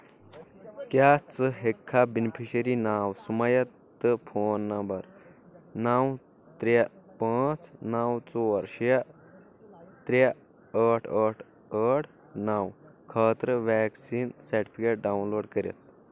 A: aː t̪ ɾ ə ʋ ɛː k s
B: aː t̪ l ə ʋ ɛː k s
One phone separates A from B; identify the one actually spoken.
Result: A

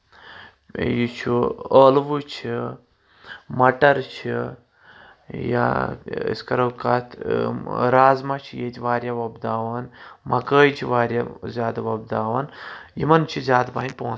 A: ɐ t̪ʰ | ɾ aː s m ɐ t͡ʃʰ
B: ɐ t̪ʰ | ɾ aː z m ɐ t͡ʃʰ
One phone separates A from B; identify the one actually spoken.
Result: B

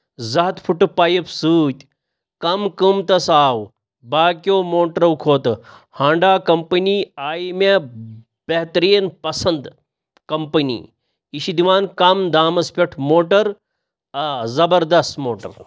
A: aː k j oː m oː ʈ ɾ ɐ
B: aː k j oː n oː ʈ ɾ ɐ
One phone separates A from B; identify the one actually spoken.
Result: A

